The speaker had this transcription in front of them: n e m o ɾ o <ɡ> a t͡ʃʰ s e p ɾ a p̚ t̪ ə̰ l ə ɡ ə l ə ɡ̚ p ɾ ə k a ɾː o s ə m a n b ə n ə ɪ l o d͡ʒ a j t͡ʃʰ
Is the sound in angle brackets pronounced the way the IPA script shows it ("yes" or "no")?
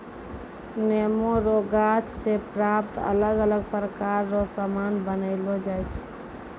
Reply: yes